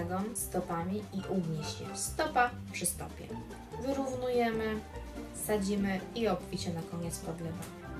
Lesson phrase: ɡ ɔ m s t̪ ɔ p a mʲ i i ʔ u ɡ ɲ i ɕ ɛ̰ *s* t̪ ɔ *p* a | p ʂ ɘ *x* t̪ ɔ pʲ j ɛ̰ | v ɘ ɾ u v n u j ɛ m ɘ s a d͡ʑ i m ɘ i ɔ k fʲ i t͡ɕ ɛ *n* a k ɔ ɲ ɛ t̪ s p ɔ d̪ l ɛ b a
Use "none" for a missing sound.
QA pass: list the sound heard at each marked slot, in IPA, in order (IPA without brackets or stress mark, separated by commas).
s, p, s, n